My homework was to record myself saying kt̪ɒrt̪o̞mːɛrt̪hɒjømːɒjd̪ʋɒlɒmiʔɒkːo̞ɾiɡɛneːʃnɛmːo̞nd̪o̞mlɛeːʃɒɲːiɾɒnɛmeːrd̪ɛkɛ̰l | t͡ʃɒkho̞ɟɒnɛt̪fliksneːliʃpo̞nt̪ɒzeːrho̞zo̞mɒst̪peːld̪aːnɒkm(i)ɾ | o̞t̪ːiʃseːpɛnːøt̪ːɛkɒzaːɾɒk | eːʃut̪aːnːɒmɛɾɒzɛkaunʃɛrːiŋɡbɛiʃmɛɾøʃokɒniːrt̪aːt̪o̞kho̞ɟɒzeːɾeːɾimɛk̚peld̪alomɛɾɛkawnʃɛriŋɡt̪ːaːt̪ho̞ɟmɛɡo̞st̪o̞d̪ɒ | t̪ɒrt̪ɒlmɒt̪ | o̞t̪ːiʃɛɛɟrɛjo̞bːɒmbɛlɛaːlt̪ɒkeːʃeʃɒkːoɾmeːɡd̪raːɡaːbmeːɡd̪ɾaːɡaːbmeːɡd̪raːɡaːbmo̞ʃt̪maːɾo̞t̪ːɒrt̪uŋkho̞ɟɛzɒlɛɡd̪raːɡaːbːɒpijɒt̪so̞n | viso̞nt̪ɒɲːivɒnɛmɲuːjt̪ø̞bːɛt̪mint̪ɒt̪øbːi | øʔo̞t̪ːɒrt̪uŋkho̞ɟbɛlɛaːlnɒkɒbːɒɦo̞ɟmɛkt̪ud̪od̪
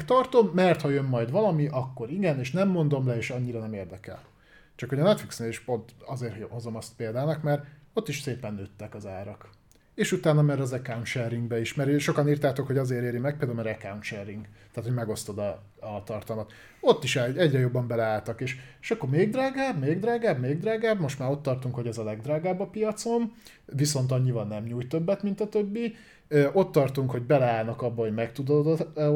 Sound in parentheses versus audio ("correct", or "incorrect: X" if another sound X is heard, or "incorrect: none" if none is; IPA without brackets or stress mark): incorrect: ɛ